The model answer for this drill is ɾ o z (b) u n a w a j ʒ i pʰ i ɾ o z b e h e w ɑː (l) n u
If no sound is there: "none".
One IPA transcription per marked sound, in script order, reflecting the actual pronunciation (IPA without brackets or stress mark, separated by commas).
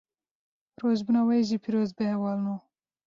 b, l